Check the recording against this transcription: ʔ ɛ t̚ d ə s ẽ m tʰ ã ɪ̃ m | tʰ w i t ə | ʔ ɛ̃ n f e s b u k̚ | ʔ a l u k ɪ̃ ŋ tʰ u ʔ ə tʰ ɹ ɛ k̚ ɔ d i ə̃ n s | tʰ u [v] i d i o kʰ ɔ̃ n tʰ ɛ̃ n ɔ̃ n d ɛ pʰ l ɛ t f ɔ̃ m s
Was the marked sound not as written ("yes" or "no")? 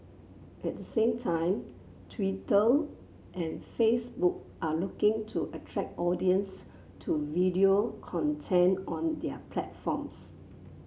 no